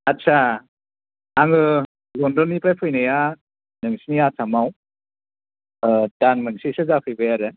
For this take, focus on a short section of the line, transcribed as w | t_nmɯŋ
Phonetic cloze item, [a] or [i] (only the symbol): a